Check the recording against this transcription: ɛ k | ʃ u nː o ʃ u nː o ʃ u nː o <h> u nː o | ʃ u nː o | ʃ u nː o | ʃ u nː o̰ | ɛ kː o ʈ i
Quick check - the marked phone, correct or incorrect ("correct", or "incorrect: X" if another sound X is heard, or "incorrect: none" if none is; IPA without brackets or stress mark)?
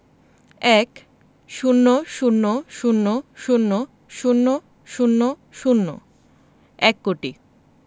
incorrect: ʃ